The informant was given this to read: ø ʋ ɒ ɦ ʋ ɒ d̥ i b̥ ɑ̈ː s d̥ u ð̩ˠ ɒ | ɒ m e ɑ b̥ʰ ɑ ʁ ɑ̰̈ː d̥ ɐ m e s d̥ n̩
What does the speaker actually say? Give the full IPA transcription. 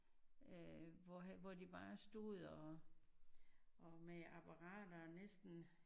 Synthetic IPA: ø ʋ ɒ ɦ ʋ ɒ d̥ i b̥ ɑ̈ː s d̥ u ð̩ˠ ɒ | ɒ m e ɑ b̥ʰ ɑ ʁ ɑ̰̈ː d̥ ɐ n e s d̥ n̩

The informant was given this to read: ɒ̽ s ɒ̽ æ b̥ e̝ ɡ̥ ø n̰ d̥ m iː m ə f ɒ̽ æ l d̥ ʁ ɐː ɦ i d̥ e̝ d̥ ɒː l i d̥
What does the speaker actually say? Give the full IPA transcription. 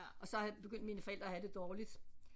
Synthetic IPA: ɒ̽ s ɒ̽ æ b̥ e̝ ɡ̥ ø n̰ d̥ m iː n ə f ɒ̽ e l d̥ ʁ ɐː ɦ æ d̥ e̝ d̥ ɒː l i d̥

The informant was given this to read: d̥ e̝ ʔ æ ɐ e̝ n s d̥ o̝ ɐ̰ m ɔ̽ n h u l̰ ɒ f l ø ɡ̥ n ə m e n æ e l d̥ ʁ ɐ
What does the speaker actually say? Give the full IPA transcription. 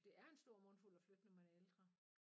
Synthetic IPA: d̥ e̝ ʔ æ ɐ e̝ n s d̥ o̝ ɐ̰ m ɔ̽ n f u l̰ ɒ f l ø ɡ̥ n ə m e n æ e l d̥ ʁ ɐ

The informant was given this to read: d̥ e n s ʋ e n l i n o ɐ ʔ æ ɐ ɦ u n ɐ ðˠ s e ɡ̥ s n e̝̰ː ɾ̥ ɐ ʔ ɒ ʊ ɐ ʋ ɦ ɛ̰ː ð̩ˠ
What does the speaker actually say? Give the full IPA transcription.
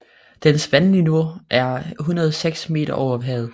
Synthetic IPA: d̥ e n s ʋ æ n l i n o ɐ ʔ æ ɐ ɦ u n ɐ ðˠ s e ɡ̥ s m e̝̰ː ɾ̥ ɐ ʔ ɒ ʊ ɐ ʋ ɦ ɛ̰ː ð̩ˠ

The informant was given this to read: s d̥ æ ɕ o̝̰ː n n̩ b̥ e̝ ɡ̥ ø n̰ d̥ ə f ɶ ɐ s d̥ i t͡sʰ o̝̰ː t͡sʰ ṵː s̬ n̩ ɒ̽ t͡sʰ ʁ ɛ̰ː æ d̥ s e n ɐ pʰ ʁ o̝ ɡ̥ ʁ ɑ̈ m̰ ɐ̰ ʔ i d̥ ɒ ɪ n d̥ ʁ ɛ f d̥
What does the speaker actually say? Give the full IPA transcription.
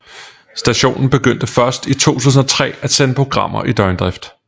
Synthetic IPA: s d̥ æ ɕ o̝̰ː n n̩ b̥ e̝ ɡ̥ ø n̰ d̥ ə f ɶ ɐ s d̥ i t͡sʰ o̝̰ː t͡sʰ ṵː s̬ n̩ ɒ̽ t͡sʰ ʁ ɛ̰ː æ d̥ s e n ə pʰ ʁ o̝ ɡ̥ ʁ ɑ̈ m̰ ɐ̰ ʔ i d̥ ɒ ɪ n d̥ ʁ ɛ f d̥

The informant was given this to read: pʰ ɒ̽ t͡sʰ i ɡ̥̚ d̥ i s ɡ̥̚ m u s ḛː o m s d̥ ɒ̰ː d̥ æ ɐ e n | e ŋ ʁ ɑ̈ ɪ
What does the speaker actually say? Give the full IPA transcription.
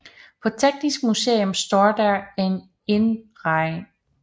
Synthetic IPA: pʰ ɒ̽ t͡sʰ e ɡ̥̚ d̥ i s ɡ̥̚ m u s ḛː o m s d̥ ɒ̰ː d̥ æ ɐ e n | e n ʁ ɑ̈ ɪ

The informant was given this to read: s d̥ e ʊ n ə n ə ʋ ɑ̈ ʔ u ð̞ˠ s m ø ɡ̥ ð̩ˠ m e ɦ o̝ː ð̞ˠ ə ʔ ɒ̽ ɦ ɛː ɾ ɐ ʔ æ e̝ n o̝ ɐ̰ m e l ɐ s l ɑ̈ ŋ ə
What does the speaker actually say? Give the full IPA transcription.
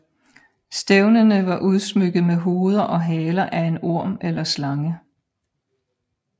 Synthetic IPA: s d̥ e ʊ n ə n ə ʋ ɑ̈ ʔ u ð̞ˠ s m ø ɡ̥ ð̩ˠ m e ɦ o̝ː ð̞ˠ ɐ ʔ ɒ̽ ɦ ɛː l ɐ ʔ æ e̝ n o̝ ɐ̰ m e l ɐ s l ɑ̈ ŋ ə

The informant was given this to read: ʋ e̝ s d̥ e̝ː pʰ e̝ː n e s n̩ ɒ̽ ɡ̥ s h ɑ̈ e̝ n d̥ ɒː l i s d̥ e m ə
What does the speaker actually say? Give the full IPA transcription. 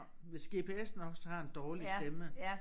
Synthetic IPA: ʋ e̝ s ɡ̥ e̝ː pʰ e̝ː e s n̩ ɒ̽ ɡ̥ s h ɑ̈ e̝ n d̥ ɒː l i s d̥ e m ə

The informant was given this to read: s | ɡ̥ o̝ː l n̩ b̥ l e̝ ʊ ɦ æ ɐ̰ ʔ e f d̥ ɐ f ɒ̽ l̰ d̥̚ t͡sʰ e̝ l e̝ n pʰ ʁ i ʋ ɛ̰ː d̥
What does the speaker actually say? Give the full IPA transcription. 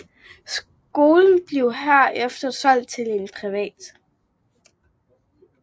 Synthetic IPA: s | ɡ̥ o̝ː l n̩ b̥ l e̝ ʊ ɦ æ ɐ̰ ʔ e f d̥ ɐ s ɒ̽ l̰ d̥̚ t͡sʰ e̝ l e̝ n pʰ ʁ i ʋ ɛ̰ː d̥

